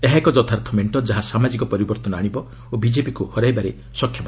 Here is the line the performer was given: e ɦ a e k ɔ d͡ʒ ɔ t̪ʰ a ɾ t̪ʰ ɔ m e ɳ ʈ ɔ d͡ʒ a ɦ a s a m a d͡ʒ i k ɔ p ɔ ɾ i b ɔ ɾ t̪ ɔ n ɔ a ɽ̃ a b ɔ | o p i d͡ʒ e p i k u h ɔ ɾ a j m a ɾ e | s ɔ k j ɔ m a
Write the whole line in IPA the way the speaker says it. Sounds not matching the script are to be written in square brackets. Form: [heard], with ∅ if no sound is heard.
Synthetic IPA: e ɦ a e k ɔ d͡ʒ ɔ t̪ʰ a ɾ t̪ʰ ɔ m e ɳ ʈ ɔ d͡ʒ a ɦ a s a m a d͡ʒ i k ɔ p ɔ ɾ i b ɔ ɾ t̪ ɔ n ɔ a ɽ̃ [i] b ɔ | o [b] i d͡ʒ e p i k u h ɔ ɾ a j [b] a ɾ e | s ɔ [kʰ] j ɔ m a